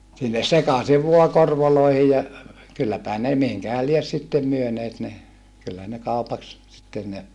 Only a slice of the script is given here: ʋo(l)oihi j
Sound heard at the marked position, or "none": l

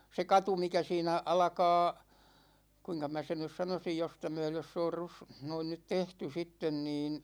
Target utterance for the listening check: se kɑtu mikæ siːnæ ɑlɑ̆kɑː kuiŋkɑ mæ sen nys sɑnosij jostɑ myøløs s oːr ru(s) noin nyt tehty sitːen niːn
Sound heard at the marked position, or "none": s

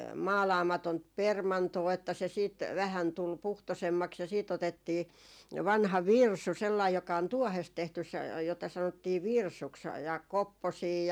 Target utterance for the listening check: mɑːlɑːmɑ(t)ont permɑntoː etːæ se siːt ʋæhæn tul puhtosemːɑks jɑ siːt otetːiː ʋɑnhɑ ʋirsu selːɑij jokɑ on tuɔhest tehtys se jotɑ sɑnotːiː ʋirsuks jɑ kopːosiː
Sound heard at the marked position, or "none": t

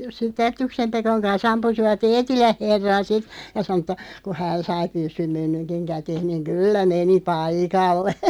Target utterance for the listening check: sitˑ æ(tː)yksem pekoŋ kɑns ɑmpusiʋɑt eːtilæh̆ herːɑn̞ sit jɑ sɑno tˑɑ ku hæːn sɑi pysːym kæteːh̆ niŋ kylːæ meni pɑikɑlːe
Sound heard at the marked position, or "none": tː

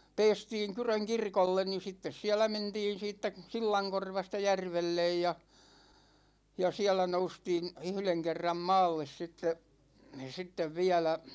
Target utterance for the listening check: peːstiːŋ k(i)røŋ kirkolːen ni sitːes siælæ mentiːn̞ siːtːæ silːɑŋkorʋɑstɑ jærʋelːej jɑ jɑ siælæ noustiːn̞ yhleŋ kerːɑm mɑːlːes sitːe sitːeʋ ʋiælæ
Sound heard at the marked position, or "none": y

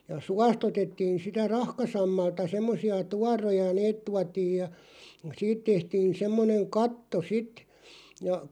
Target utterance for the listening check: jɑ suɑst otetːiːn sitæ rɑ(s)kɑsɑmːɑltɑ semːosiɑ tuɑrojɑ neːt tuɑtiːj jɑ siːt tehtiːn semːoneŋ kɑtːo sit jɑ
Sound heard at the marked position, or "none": h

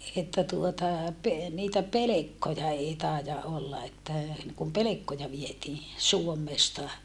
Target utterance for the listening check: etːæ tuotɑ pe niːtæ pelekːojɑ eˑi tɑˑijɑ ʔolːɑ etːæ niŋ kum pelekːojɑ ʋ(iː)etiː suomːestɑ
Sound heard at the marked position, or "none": i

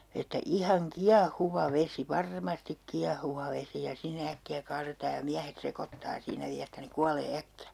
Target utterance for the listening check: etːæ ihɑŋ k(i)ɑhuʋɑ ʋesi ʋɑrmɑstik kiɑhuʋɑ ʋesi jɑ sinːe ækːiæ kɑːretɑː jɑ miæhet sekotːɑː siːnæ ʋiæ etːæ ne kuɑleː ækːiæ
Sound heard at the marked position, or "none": i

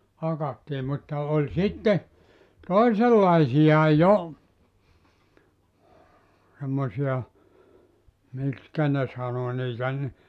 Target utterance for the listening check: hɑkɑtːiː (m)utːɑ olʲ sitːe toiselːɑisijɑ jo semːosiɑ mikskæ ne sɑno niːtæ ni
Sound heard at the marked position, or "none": m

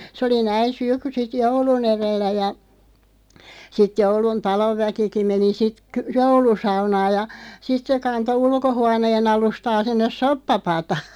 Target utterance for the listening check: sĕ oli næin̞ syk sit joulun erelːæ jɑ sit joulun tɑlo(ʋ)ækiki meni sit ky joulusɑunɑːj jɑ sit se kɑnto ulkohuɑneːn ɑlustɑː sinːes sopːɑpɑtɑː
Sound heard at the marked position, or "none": ʋː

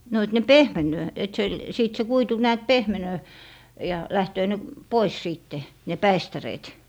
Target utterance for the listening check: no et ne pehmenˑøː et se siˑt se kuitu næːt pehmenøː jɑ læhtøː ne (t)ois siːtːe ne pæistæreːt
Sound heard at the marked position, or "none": p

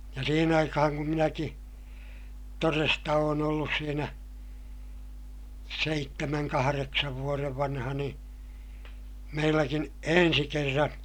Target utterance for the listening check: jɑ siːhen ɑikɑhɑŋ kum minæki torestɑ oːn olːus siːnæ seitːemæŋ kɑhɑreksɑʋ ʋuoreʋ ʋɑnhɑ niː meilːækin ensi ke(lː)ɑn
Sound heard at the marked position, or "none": rː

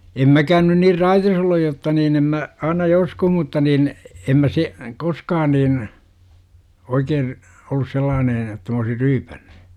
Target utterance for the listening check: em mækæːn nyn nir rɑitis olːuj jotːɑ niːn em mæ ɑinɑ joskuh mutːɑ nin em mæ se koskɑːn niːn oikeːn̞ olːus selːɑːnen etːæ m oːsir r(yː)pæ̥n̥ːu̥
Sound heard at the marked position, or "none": yː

